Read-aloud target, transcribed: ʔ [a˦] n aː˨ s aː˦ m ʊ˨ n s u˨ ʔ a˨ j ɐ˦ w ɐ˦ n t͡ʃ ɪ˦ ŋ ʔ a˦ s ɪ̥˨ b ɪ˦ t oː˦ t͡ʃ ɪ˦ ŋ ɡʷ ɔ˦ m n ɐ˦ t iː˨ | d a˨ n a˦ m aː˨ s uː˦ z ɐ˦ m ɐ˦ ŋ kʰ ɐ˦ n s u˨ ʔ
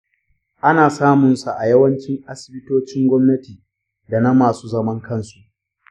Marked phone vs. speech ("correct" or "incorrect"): correct